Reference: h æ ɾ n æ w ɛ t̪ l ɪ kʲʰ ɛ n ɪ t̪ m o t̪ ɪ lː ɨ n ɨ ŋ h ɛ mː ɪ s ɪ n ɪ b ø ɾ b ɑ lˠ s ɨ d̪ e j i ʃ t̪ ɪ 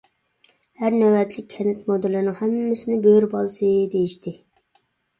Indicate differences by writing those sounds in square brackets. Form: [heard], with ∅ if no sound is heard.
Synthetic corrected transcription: h æ ɾ n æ w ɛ t̪ l ɪ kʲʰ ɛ n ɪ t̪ m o [d̪] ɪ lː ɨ n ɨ ŋ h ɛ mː ɪ s ɪ n ɪ b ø ɾ b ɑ lˠ s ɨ d̪ e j i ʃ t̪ ɪ